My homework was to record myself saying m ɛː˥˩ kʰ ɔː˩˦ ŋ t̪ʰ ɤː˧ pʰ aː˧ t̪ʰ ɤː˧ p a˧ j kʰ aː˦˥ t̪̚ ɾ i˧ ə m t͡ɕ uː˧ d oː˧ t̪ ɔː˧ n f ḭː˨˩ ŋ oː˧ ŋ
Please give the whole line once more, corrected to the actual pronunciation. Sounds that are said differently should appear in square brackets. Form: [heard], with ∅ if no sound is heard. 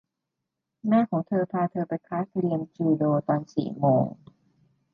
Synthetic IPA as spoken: m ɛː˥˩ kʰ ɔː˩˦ ŋ t̪ʰ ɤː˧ pʰ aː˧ t̪ʰ ɤː˧ p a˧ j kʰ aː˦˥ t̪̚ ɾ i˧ ə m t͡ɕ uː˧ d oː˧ t̪ ɔː˧ n [s] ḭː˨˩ [m] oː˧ ŋ